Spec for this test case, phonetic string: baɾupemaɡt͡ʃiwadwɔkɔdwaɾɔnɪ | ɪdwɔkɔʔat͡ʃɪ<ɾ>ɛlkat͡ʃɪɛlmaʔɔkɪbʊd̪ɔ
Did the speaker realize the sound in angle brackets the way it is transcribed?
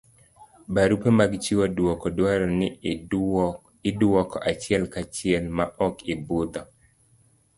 no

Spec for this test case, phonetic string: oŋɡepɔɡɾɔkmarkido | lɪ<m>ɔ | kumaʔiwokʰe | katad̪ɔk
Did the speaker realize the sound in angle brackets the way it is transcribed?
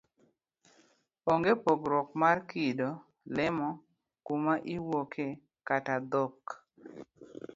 yes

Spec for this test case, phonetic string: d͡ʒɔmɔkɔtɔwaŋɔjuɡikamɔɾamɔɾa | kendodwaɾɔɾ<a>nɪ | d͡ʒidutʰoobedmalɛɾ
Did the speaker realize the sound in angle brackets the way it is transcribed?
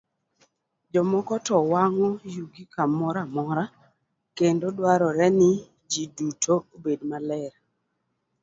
no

